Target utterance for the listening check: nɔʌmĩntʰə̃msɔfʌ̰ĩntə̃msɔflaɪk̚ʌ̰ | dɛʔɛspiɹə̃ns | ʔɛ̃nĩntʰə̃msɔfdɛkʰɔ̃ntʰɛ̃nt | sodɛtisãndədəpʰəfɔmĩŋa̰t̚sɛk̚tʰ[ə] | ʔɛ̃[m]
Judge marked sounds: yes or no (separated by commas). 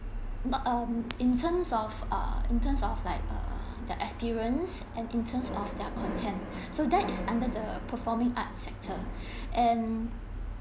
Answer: yes, no